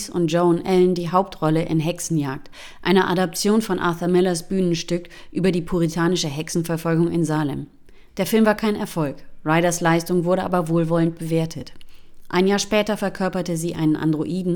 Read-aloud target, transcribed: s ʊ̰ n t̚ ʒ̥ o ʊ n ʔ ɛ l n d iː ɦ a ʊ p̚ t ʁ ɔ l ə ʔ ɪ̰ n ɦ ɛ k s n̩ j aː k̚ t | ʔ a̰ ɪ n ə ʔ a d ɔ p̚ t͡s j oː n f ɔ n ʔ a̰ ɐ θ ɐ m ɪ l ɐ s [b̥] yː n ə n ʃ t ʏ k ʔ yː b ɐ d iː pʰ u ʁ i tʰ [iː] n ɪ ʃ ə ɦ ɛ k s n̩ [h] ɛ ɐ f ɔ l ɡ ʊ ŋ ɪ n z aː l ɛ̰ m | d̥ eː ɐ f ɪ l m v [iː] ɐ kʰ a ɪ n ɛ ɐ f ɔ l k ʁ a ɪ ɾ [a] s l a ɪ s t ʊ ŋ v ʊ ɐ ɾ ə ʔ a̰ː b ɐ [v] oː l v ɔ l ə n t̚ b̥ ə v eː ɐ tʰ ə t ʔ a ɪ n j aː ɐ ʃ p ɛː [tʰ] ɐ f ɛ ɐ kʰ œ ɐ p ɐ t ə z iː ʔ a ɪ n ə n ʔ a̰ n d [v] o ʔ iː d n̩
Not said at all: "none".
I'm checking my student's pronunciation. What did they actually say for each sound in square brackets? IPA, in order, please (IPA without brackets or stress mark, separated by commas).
b̥, aː, f, aː, ɐ, v, t, ʁ